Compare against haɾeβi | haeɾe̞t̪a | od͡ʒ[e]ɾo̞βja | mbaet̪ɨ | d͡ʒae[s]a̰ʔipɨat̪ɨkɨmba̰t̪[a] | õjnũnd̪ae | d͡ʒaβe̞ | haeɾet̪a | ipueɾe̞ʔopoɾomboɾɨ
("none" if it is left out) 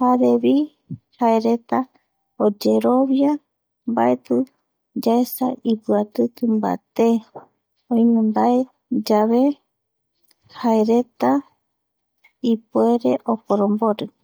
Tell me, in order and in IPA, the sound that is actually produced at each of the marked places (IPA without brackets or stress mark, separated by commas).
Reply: e, s, e